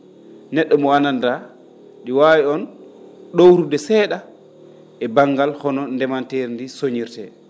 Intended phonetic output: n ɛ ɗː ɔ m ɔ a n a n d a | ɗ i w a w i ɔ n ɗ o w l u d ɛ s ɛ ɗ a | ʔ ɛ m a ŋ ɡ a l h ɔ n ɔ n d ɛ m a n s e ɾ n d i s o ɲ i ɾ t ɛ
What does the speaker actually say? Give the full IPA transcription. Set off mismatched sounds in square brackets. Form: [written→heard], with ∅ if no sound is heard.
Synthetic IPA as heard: n ɛ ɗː ɔ m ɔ a n a n d a | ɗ i w a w i ɔ n ɗ o w [l→ɾ] u d ɛ s ɛ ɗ a | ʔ ɛ [m→b] a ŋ ɡ a l h ɔ n ɔ n d ɛ m a n [s→t] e ɾ n d i s o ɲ i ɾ t ɛ

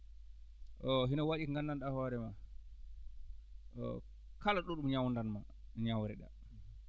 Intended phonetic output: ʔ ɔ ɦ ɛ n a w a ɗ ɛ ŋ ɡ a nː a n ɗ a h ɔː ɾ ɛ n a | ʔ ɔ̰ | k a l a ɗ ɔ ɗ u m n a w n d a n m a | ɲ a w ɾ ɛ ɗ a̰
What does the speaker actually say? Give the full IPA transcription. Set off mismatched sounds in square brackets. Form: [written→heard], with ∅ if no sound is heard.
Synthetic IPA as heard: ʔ ɔ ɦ [ɛ→i] n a w a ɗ [ɛ→i] ŋ ɡ a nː a n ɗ a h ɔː ɾ ɛ [n→m] a | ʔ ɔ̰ | k a l a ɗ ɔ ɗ u m [n→ɲ] a w n d a n m a | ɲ a w ɾ ɛ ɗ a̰

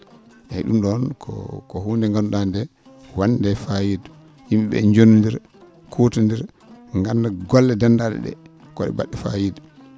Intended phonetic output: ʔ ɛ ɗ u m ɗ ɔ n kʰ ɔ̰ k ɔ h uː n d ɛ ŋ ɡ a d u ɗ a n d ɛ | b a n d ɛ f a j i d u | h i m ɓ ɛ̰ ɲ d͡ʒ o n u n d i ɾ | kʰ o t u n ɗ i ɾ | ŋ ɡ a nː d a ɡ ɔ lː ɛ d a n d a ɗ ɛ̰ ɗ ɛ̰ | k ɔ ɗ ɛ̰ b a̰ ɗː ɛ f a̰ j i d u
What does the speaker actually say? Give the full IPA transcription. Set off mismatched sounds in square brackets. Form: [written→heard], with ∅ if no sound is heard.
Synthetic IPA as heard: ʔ ɛ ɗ u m ɗ ɔ n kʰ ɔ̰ k ɔ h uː n d ɛ ŋ ɡ a [d→n] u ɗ a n d ɛ | [b→w] a n d ɛ f a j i d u | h i m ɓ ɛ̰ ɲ d͡ʒ o n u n d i ɾ | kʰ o t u n [ɗ→d] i ɾ | ŋ ɡ a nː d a ɡ ɔ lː ɛ d a n d a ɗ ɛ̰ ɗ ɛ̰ | k ɔ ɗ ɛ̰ b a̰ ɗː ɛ f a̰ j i d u

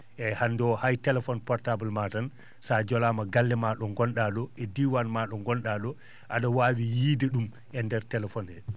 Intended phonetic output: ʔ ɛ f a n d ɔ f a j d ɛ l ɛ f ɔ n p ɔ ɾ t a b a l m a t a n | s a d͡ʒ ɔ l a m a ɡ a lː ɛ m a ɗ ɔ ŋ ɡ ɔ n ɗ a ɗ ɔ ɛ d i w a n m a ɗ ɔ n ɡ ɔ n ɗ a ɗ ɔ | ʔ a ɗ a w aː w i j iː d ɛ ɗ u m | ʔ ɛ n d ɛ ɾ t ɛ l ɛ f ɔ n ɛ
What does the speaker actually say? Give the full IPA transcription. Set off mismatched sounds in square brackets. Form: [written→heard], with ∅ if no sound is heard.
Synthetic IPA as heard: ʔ ɛ [f→h] a n d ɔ [f→h] a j [d→t] ɛ l ɛ f ɔ n p ɔ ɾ t a b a l m a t a n | s a d͡ʒ ɔ l a m a ɡ a lː ɛ m a ɗ ɔ ŋ ɡ ɔ n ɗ a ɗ ɔ ɛ d i w a n m a ɗ ɔ [n→ŋ] ɡ ɔ n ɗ a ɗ ɔ | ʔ a ɗ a w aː w i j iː d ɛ ɗ u m | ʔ ɛ n d ɛ ɾ t ɛ l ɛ f ɔ n ɛ

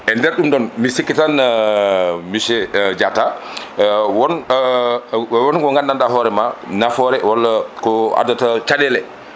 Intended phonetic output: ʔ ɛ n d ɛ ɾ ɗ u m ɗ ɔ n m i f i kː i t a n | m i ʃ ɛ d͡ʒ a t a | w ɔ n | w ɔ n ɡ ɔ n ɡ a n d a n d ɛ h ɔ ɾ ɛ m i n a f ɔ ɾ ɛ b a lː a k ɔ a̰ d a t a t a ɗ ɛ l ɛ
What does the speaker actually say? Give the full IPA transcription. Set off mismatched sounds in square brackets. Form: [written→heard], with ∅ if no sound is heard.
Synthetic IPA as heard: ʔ ɛ n d ɛ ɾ ɗ u m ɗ ɔ n m i [f→s] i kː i t a n | m i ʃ ɛ d͡ʒ a t a | w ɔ n | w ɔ n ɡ ɔ [n→ŋ] ɡ a n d a n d [ɛ→a] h ɔ ɾ ɛ m [i→a] n a f ɔ ɾ ɛ [b→w] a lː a k ɔ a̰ d a t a [t→t͡ʃ] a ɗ ɛ l ɛ

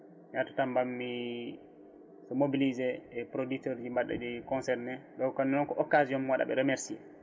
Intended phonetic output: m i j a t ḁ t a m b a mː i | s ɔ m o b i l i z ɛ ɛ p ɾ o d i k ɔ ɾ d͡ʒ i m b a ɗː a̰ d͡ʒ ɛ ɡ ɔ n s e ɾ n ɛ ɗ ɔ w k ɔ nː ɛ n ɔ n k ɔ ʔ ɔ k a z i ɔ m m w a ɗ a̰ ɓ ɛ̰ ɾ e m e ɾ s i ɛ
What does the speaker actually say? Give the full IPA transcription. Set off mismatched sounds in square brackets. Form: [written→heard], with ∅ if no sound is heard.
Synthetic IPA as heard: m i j a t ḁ t a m b a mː i | s ɔ m o b i l i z ɛ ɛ p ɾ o d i [k→t] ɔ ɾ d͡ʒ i m b a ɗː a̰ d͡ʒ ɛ [ɡ→k] ɔ n s [e→ɛ] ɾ n ɛ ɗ ɔ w k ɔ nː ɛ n ɔ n k ɔ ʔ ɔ k a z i ɔ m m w a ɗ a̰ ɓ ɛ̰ ɾ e m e ɾ s i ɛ

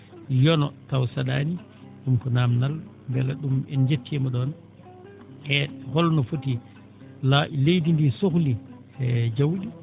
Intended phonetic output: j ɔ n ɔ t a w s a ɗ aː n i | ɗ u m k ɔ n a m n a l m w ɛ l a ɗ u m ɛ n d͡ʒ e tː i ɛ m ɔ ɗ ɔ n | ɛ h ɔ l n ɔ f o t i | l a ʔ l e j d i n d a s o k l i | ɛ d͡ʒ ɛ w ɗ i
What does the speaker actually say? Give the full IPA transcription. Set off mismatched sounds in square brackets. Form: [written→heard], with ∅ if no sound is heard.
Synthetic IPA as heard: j ɔ n ɔ t a w s a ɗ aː n i | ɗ u m k ɔ n a m n a l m [w→b] ɛ l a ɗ u m ɛ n d͡ʒ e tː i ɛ m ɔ ɗ ɔ n | ɛ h ɔ l n ɔ f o t i | l a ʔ l e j d i n d [a→i] s o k l i | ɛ d͡ʒ [ɛ→a] w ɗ i

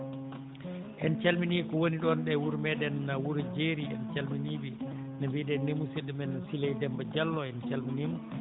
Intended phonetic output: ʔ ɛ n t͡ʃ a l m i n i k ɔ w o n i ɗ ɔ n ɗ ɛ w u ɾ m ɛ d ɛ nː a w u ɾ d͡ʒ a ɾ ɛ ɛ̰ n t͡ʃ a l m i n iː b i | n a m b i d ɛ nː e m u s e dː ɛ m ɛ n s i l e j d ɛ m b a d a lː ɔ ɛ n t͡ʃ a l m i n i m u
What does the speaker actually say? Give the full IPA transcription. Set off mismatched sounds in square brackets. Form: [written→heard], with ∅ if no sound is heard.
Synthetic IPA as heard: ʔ ɛ n t͡ʃ a l m i n i k ɔ w o n i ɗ ɔ n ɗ ɛ w u ɾ m ɛ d ɛ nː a w u ɾ d͡ʒ [a→e] ɾ [ɛ→i] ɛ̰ n t͡ʃ a l m i n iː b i | n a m b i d ɛ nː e m u s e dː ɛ m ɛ n s i l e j d ɛ m b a [d→d͡ʒ] a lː ɔ ɛ n t͡ʃ a l m i n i m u

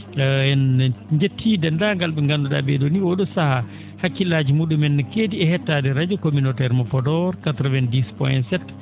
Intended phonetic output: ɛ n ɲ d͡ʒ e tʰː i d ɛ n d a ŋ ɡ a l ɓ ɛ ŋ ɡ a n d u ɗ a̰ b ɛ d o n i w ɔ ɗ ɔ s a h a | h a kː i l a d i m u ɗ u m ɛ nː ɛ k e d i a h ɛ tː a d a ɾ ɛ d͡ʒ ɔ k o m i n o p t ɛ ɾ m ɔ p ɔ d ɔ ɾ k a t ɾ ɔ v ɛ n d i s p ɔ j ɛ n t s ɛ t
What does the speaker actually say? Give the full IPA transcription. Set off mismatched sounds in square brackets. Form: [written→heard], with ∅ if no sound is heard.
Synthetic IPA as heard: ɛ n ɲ d͡ʒ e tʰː i d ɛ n d a ŋ ɡ a l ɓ ɛ ŋ ɡ a n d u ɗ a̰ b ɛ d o n i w ɔ ɗ ɔ s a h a | h a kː i l a [d→d͡ʒ] i m u ɗ u m ɛ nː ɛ k e d i [a→ɛ] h ɛ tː a d [a→ɛ] ɾ [ɛ→a] d͡ʒ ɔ k o m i n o [p→∅] t ɛ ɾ m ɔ p ɔ d ɔ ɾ k a t ɾ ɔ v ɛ n d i s p ɔ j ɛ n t s ɛ t

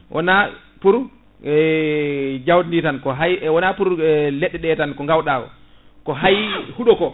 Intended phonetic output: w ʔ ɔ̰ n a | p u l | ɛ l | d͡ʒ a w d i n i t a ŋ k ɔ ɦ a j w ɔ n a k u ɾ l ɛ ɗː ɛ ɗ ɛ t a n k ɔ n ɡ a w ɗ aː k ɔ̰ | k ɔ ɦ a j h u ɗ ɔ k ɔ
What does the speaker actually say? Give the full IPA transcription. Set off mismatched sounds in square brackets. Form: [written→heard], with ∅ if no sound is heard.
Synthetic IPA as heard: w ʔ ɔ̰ n a | p u [l→ɾ] | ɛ [l→∅] | d͡ʒ a w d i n i t a [ŋ→n] k ɔ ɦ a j w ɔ n a [k→p] u ɾ l ɛ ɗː ɛ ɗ ɛ t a n k ɔ [n→ŋ] ɡ a w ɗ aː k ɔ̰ | k ɔ ɦ a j h u ɗ ɔ k ɔ

